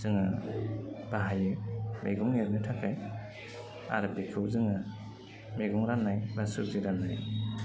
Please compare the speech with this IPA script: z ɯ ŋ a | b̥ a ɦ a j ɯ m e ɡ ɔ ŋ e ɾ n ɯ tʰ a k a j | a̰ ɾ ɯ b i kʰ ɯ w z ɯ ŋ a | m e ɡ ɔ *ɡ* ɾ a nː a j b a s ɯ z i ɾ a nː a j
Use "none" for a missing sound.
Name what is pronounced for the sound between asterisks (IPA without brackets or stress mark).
ŋ